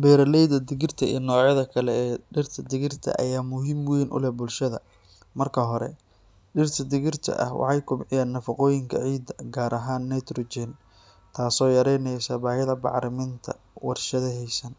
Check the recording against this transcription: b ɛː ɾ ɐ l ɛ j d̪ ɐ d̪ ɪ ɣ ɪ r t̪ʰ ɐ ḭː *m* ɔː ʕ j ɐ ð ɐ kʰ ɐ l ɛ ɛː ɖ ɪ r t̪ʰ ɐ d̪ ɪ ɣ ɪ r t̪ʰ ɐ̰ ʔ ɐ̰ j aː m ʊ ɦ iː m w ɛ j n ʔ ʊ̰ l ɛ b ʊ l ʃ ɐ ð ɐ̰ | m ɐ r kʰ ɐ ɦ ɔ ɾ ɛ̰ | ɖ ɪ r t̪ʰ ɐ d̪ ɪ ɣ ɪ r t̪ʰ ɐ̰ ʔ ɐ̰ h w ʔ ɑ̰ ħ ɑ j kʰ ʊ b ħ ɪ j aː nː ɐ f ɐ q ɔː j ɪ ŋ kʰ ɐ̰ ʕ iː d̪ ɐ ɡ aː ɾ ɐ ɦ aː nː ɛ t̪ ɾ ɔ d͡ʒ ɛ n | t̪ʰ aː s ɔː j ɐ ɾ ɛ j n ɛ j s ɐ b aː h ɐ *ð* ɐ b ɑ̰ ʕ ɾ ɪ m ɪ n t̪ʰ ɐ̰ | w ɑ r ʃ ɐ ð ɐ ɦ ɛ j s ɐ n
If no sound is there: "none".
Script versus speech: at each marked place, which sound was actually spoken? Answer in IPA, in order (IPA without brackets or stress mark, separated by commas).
n, ð